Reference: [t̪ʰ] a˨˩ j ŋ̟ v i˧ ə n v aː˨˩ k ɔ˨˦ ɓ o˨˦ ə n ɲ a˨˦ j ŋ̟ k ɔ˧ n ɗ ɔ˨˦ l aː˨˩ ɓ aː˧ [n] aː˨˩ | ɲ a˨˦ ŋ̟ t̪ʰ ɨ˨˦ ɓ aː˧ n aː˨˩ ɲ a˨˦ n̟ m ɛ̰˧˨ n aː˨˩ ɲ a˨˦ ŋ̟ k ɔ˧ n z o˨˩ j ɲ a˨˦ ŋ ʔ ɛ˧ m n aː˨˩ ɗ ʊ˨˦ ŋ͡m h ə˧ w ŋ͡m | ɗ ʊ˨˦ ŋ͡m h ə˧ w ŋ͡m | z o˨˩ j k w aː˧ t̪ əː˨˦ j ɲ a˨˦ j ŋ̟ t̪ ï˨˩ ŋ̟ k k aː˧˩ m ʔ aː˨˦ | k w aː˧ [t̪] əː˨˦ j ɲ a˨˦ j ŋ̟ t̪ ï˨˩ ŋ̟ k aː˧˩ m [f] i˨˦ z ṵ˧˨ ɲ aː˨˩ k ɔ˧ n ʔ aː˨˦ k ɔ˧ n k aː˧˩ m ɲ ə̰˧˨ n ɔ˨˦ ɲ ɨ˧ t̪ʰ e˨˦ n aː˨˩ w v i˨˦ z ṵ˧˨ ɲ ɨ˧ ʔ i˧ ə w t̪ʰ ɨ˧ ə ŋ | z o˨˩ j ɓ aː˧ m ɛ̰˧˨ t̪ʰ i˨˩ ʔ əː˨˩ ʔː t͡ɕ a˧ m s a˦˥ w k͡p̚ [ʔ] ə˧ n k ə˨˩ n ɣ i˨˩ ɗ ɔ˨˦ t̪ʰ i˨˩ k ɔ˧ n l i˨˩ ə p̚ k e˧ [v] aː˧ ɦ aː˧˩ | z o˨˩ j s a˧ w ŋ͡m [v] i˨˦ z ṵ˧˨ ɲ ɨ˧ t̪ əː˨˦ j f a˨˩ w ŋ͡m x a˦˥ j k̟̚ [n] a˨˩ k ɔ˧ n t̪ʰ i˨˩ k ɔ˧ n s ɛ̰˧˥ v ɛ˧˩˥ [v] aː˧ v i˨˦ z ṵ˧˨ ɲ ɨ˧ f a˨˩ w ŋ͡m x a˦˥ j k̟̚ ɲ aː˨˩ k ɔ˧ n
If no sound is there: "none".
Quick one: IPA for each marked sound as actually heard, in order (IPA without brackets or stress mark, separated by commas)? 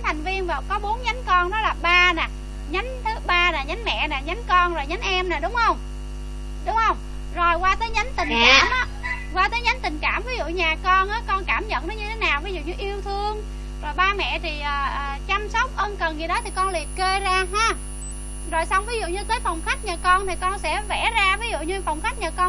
t̪ʰ, n, t̪, v, ʔ, z, v, ɲ, z